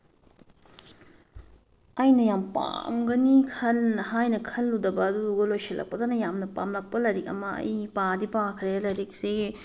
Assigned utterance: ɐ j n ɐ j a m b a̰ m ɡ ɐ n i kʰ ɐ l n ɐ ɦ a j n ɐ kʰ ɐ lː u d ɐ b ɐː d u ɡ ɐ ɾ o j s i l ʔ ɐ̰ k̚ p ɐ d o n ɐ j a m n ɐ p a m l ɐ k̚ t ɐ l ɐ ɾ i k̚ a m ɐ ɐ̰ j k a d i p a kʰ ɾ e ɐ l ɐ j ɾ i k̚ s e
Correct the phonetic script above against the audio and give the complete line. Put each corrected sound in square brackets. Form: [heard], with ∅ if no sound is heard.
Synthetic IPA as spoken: ɐ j n ɐ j a m [p] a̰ m ɡ ɐ n i kʰ ɐ l n ɐ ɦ a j n ɐ kʰ ɐ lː u d ɐ b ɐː d u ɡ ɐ [l] o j s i l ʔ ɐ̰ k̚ p ɐ d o n ɐ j a m n ɐ p a m l ɐ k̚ [p] ɐ l ɐ ɾ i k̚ [ɐ] m ɐ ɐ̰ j [p] a d i p a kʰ ɾ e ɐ l ɐ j ɾ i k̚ s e